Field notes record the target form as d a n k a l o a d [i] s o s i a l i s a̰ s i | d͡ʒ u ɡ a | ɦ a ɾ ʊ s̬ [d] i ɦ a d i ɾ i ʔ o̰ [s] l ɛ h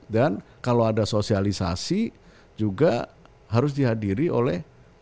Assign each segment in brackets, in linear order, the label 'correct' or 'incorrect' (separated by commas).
incorrect, correct, incorrect